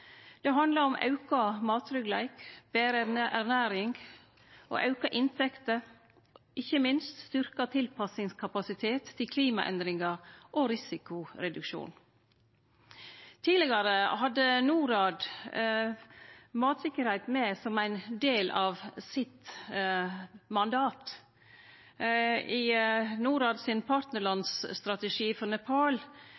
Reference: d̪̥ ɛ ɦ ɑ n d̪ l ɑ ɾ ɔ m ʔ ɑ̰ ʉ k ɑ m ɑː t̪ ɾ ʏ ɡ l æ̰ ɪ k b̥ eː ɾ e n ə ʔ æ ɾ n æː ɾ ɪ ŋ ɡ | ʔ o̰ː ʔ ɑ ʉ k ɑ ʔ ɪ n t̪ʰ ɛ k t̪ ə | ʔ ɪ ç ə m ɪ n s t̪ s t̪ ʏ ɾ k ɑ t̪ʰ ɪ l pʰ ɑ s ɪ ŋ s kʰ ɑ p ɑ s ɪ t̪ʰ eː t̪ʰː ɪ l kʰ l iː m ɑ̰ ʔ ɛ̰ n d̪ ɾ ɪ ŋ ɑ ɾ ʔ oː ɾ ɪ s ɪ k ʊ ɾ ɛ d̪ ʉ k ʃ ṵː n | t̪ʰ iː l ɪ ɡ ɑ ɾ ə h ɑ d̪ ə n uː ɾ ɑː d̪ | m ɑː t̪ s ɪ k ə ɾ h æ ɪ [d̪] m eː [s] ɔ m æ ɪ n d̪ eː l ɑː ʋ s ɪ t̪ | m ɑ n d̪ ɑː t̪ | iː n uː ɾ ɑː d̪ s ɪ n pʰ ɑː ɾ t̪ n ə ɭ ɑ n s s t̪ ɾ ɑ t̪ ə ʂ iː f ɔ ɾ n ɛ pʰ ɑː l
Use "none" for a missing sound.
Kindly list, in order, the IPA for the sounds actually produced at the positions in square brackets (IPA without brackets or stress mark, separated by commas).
t̪, s